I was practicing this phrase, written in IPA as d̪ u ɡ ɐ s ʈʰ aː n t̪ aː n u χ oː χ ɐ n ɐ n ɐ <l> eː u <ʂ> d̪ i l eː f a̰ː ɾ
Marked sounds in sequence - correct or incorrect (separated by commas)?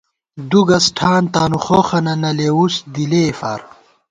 correct, incorrect